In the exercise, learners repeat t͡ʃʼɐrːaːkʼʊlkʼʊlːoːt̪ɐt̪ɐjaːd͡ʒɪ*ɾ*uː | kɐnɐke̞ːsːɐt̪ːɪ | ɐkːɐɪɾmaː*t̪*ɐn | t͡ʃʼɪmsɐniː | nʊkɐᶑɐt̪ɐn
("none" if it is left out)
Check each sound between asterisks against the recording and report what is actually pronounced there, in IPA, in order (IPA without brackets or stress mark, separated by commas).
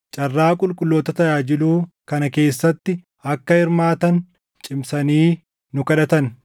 l, t̪